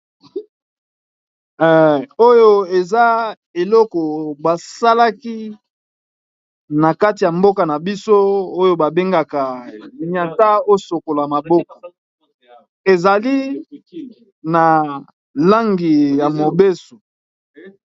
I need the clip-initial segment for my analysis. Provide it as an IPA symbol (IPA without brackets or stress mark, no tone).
o